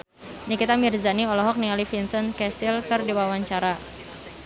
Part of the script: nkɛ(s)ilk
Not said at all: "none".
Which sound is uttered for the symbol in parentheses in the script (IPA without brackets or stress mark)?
s